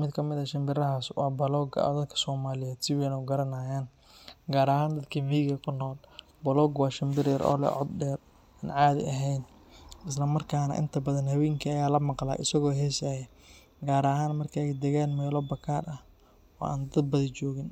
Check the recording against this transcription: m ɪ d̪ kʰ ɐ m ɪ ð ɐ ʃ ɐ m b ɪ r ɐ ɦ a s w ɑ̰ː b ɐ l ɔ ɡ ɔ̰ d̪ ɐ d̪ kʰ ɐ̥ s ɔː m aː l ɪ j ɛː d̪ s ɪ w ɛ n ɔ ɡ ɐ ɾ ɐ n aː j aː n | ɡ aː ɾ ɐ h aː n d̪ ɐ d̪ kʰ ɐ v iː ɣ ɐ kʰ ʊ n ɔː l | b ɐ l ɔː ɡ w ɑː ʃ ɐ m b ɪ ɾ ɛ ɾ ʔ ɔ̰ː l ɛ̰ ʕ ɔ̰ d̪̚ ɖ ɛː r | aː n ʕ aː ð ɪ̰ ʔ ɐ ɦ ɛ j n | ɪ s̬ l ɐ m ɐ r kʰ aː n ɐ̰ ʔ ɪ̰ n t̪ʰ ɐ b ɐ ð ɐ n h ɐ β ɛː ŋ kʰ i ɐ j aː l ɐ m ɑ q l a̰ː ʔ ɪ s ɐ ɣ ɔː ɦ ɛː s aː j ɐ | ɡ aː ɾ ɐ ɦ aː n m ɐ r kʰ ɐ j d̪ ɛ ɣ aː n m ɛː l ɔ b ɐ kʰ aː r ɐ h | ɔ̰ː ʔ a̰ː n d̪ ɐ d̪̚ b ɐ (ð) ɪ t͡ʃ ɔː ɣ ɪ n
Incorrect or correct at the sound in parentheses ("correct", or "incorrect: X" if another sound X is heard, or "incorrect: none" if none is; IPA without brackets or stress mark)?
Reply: correct